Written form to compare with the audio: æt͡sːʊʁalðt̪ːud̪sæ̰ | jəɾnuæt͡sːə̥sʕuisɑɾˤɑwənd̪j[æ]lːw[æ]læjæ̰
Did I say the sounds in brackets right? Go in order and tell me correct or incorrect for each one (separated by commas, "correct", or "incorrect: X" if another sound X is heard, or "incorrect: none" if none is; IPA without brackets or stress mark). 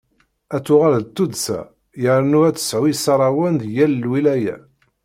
correct, incorrect: i